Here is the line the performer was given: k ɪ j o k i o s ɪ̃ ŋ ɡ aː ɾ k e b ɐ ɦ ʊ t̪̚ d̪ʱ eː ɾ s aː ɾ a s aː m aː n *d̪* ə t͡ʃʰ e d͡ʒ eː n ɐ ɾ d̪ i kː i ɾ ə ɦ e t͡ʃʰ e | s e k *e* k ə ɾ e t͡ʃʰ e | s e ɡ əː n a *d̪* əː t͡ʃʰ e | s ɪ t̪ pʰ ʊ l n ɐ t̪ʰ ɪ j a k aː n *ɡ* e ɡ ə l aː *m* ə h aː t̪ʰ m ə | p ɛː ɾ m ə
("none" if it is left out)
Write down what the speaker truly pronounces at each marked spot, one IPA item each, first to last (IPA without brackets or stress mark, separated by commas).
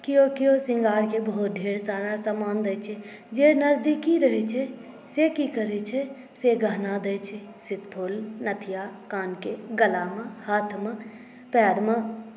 d̪, i, d̪, k, m